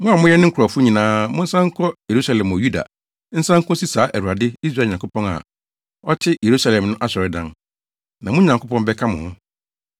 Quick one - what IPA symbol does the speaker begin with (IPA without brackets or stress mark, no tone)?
m